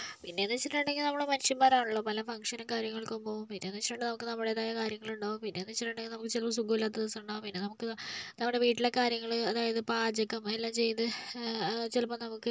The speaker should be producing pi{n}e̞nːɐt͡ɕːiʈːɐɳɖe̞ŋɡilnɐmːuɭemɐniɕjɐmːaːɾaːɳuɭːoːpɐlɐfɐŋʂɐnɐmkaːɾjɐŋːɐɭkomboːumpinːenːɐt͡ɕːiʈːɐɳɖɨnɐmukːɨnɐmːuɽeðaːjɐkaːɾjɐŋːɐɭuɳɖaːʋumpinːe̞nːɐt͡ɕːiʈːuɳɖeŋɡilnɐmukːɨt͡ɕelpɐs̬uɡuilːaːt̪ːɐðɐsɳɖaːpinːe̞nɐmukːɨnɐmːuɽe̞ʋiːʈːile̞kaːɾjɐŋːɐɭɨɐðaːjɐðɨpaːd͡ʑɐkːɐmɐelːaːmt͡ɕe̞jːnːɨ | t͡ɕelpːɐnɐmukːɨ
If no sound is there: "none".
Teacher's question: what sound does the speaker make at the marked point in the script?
nː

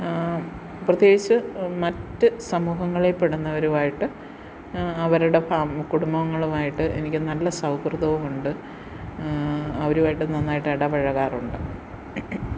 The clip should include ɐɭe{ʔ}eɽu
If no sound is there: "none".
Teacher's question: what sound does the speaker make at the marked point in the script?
p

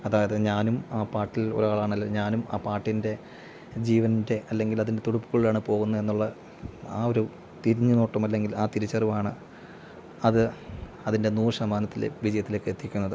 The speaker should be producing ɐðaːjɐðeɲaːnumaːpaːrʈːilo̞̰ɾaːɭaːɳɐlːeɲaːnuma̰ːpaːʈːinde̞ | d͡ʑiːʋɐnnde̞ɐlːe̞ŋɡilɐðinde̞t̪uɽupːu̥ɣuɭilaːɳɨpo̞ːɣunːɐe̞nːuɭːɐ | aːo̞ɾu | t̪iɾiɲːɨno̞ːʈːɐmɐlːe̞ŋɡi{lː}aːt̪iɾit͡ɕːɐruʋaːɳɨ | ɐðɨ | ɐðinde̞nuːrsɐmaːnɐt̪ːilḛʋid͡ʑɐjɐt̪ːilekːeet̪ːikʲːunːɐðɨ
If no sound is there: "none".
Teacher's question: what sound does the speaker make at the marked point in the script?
l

